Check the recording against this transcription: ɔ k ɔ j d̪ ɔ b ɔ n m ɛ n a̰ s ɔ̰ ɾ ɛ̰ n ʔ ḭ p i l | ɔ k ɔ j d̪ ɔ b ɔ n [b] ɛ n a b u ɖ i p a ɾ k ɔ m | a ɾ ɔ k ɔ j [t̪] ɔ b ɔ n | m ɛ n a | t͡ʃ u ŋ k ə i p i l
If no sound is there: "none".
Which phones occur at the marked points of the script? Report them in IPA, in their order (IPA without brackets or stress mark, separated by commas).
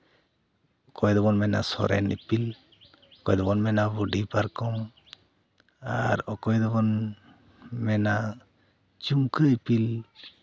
m, d̪